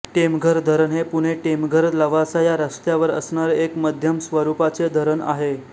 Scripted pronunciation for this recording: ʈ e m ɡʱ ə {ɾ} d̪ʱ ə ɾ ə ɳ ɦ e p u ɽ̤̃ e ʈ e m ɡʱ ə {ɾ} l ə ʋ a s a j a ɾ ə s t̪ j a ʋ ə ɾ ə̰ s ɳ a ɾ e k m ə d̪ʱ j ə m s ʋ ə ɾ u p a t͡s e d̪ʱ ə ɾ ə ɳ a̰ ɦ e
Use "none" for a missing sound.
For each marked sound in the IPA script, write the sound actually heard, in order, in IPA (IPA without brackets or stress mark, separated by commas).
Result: ɾ, ɾ